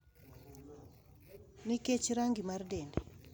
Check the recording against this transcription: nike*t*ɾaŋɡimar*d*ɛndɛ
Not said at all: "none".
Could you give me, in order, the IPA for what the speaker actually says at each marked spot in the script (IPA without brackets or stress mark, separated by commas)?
t͡ʃ, d